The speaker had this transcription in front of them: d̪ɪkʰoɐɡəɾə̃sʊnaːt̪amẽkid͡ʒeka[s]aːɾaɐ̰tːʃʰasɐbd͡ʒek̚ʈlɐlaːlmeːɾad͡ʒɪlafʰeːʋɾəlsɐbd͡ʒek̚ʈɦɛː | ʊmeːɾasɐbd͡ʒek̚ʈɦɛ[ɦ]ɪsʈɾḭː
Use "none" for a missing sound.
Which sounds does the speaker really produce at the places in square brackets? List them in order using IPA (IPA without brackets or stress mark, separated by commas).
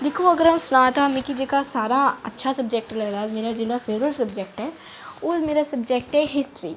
s, ɦ